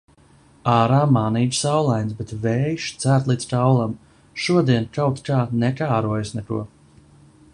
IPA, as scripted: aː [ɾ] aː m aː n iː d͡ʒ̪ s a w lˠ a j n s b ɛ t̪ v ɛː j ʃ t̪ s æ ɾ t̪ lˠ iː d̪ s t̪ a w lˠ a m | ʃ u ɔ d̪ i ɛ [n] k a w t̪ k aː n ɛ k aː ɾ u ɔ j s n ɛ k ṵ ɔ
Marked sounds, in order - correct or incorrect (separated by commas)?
correct, correct